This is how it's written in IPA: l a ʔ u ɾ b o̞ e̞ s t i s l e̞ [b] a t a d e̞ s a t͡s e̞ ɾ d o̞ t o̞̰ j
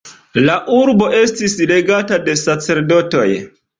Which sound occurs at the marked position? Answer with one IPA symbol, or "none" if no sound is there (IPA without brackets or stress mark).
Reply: ɡ